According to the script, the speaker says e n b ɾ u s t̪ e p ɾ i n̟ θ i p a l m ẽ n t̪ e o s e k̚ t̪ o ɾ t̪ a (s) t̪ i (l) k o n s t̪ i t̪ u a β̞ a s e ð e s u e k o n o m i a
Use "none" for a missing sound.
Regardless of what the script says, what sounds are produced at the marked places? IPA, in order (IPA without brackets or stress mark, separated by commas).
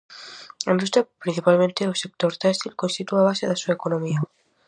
s, l